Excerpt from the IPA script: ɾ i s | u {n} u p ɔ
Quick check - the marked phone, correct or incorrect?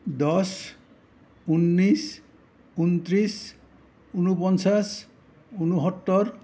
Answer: correct